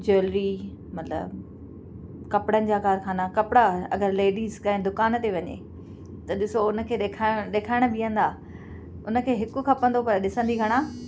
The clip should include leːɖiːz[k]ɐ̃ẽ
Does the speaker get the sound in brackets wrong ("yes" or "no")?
no